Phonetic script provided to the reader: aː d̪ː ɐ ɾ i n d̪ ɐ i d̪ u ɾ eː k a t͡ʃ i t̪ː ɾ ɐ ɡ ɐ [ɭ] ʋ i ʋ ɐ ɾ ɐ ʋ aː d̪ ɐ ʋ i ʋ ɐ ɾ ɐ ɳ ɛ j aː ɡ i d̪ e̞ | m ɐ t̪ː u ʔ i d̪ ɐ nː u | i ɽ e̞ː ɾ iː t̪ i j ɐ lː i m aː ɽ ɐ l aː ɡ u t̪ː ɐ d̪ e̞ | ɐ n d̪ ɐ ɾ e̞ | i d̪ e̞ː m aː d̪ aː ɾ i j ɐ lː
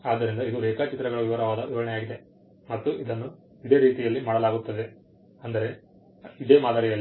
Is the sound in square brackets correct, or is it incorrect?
correct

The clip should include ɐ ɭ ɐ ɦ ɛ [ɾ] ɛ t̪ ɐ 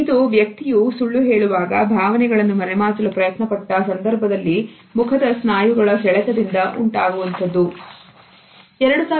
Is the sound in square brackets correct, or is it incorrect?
incorrect: ɭ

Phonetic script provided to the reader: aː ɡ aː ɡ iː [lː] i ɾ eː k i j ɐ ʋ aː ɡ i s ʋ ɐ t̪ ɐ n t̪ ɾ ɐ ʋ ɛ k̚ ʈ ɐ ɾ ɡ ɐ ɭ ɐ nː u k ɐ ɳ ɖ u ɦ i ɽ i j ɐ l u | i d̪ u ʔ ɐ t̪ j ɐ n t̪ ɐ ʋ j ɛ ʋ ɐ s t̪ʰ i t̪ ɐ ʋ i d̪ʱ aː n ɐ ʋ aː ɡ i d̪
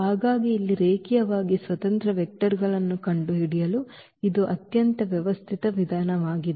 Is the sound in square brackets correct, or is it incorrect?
correct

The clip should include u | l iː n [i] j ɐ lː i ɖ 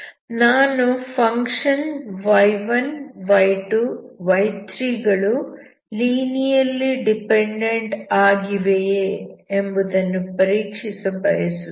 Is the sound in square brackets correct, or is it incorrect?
correct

